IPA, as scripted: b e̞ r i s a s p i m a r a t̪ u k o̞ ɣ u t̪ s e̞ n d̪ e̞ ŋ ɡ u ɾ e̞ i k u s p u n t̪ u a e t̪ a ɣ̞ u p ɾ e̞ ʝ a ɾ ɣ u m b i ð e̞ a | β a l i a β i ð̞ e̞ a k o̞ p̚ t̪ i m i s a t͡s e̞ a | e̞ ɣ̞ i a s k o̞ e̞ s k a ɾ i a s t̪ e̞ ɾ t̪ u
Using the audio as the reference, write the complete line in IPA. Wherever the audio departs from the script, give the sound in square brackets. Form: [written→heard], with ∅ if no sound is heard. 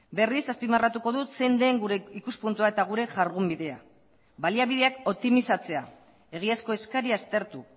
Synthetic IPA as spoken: b e̞ r i s a s p i m a r a t̪ u k o̞ [ɣ→ð] u t̪ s e̞ n d̪ e̞ ŋ ɡ u ɾ e̞ i k u s p u n t̪ u a e t̪ a ɣ̞ u [p→∅] ɾ e̞ ʝ a ɾ ɣ u m b i ð e̞ a | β a l i a β i ð̞ e̞ a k o̞ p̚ t̪ i m i s a t͡s e̞ a | e̞ ɣ̞ i a s k o̞ e̞ s k a ɾ i a s t̪ e̞ ɾ t̪ u